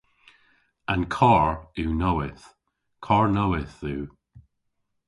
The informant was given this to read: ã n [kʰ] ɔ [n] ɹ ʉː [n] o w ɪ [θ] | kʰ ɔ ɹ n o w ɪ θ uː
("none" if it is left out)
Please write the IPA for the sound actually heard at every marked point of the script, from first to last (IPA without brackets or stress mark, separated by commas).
kʰ, none, n, θ